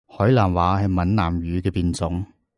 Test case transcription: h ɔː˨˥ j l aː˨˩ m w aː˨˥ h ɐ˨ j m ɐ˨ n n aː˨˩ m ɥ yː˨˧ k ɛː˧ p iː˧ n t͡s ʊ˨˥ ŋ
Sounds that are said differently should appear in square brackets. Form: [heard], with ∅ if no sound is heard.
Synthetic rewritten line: h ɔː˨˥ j l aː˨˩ [n] w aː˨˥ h ɐ˨ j m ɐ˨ n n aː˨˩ m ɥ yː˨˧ k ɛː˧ p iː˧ n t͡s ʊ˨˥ ŋ

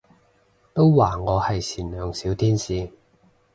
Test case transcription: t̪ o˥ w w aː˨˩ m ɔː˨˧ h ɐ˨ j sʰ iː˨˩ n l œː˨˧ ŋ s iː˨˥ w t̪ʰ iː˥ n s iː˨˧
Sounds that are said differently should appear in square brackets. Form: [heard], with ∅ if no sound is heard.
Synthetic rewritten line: t̪ o˥ w w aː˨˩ [ŋ] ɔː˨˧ h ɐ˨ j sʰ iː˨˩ n l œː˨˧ ŋ s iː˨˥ w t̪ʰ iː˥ n s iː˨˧

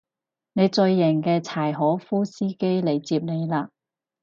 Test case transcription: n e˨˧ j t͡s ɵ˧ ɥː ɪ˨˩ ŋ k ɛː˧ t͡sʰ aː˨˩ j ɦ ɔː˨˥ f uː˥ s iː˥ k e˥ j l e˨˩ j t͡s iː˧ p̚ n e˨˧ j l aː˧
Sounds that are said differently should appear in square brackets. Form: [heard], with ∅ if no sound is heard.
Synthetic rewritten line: n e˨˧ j t͡s ɵ˧ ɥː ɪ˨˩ ŋ k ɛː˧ t͡sʰ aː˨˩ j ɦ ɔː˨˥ f uː˥ s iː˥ k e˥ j l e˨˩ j t͡s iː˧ p̚ n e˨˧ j l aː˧

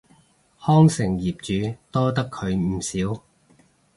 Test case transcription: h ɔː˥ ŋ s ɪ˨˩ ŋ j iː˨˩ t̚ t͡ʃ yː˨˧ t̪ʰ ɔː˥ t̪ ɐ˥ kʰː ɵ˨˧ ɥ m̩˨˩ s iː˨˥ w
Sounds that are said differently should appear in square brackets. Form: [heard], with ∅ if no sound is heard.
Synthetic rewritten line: h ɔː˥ ŋ s ɪ˨˩ ŋ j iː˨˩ [p̚] t͡ʃ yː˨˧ [t̪] ɔː˥ t̪ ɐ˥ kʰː ɵ˨˧ ɥ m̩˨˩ s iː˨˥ w

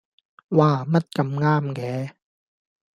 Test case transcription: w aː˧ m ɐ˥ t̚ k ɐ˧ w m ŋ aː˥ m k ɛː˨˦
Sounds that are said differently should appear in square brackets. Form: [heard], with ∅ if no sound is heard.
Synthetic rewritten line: w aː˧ m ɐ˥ t̚ k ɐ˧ [∅] m ŋ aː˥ m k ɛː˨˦

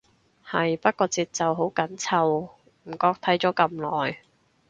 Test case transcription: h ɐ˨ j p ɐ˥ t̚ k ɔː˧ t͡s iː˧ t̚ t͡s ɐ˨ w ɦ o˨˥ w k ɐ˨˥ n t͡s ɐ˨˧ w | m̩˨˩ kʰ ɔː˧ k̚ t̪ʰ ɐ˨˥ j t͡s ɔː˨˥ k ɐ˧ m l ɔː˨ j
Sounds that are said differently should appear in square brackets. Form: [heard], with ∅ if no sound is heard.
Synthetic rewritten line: h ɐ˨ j p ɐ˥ t̚ k ɔː˧ t͡s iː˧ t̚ t͡s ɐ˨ w ɦ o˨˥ w k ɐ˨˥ n [t͡sʰ] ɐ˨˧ w | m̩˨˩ [k] ɔː˧ k̚ t̪ʰ ɐ˨˥ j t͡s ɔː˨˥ k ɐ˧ m l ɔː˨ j

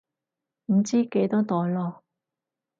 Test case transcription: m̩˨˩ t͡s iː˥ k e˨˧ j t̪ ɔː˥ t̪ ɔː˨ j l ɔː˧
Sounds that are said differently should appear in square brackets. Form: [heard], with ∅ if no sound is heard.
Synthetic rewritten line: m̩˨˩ t͡s iː˥ k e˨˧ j t̪ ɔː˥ t̪ ɔː˨ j l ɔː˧

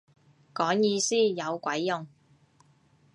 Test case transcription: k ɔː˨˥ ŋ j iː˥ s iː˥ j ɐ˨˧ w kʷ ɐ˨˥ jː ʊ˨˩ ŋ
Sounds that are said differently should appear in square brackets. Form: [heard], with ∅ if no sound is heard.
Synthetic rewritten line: k ɔː˨˥ ŋ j [iː˧] s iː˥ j ɐ˨˧ w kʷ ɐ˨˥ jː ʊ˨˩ ŋ

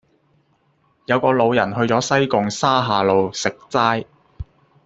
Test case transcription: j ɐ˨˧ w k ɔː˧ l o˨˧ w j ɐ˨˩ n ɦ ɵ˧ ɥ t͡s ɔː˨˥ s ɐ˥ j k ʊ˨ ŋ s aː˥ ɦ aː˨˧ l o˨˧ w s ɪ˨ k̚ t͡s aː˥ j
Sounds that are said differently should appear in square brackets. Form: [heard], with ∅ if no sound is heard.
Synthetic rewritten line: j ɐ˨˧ w k ɔː˧ l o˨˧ w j ɐ˨˩ n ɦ ɵ˧ ɥ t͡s ɔː˨˥ s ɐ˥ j k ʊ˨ ŋ s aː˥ ɦ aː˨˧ l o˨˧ w s ɪ˨ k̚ t͡s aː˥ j

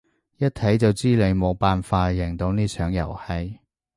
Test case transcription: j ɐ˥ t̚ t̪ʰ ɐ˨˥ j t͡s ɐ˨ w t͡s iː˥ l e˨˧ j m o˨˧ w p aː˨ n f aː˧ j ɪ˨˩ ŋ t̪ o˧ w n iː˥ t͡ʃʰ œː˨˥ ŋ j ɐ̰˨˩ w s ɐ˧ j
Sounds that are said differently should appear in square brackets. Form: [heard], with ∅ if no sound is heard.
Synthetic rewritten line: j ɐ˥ t̚ t̪ʰ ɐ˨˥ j t͡s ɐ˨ w t͡s iː˥ l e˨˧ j m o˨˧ w p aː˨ n f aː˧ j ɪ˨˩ ŋ t̪ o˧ w n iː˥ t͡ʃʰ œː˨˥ ŋ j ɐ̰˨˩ w [h] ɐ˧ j

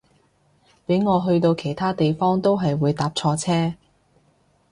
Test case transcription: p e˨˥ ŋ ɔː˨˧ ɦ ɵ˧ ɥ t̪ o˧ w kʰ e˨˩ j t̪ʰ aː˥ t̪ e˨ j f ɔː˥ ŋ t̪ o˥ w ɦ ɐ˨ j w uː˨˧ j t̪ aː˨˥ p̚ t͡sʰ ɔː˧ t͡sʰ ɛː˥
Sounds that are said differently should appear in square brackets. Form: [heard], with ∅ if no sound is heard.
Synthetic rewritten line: p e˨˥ ŋ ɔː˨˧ ɦ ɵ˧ ɥ t̪ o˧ w kʰ e˨˩ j t̪ʰ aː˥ t̪ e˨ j f ɔː˥ ŋ t̪ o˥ w ɦ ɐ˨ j w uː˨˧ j t̪ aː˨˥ p̚ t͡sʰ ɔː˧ t͡sʰ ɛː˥

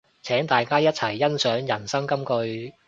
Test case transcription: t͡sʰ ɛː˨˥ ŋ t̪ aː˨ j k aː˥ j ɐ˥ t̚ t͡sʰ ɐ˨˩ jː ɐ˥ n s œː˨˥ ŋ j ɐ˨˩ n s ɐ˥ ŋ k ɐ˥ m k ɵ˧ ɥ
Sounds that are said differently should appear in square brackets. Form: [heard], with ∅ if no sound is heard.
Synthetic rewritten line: t͡sʰ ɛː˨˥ ŋ t̪ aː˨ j k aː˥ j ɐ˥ t̚ t͡sʰ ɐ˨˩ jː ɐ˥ n s œː˨˥ ŋ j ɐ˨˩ n s ɐ˥ ŋ k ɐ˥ m k ɵ˧ ɥ

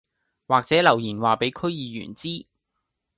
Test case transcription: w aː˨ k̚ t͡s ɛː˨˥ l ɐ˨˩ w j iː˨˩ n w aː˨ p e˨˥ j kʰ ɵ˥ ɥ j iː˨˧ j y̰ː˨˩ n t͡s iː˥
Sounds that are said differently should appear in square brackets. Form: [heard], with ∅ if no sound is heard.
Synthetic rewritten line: w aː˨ k̚ t͡s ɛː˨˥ l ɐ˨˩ w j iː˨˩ n w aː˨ p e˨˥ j kʰ ɵ˥ ɥ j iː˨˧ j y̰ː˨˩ n t͡s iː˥

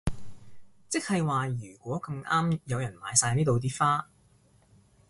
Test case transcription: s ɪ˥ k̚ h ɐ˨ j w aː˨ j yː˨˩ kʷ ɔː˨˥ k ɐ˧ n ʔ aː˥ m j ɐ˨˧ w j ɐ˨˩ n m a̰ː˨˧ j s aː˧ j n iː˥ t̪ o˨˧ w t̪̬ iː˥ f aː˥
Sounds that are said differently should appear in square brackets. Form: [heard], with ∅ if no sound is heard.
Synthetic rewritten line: [t͡s] ɪ˥ k̚ h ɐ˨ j w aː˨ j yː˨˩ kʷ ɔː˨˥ k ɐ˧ [m] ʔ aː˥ m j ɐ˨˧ w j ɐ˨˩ n m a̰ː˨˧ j s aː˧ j n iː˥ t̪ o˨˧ w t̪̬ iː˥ f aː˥

